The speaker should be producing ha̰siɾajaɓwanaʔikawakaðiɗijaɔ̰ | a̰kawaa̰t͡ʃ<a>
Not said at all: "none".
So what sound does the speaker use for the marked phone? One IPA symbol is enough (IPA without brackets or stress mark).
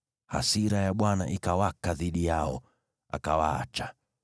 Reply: a